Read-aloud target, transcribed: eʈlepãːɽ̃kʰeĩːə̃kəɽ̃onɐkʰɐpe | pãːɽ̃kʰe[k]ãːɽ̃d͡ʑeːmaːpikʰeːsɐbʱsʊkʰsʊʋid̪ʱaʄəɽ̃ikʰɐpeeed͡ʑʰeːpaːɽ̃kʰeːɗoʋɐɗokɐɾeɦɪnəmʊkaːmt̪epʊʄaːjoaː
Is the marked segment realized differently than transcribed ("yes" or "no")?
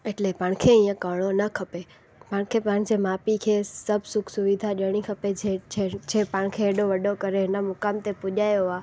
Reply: yes